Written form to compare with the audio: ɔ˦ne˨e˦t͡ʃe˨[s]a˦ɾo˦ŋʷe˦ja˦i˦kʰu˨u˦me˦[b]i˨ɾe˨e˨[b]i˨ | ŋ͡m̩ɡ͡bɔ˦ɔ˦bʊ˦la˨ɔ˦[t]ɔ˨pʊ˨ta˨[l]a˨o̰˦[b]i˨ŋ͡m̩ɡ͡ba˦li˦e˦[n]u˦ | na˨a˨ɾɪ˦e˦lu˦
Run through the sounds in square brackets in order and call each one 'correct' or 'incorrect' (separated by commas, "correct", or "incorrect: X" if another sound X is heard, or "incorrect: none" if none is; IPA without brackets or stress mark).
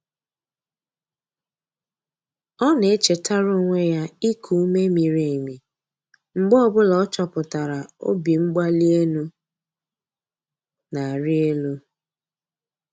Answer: incorrect: t, incorrect: m, incorrect: m, incorrect: t͡ʃ, incorrect: ɾ, correct, correct